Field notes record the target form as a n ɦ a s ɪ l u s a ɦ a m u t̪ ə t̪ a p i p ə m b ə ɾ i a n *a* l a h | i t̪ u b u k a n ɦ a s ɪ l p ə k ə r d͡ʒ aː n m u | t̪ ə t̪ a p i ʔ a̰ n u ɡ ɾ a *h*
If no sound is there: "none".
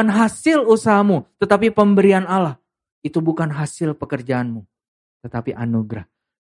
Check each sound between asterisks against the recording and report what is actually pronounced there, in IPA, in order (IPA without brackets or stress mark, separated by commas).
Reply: a, h